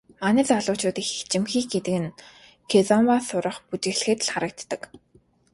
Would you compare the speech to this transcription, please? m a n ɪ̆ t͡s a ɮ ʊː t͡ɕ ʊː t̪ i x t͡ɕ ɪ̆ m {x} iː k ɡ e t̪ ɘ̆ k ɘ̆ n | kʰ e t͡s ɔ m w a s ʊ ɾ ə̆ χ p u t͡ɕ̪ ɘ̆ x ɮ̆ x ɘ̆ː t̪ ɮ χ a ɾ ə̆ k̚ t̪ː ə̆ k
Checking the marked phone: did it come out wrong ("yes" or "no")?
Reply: no